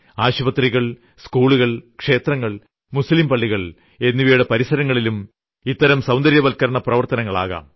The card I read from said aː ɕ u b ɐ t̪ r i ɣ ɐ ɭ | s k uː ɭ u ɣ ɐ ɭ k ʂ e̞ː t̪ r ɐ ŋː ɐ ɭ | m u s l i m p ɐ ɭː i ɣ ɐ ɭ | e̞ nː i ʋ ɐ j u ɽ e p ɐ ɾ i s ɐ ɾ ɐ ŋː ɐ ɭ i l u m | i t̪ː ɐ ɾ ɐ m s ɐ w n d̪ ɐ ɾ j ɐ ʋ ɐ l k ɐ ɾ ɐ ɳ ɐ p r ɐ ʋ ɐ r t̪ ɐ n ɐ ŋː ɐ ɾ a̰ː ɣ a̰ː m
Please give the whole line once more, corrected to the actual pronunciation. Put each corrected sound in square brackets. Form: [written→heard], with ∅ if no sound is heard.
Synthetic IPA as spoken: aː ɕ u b ɐ t̪ r i ɣ ɐ ɭ | s k uː ɭ u ɣ ɐ ɭ k ʂ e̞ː t̪ r ɐ ŋː ɐ ɭ | m u s l i m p ɐ ɭː i ɣ ɐ ɭ | e̞ nː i ʋ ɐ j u ɽ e p ɐ ɾ i s ɐ ɾ ɐ ŋː ɐ ɭ i l u m | i t̪ː ɐ ɾ ɐ m s ɐ w n d̪ ɐ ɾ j ɐ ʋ ɐ l k ɐ ɾ ɐ ɳ ɐ p r ɐ ʋ ɐ r t̪ ɐ n ɐ ŋː ɐ [ɾ→ɭ] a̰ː ɣ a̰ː m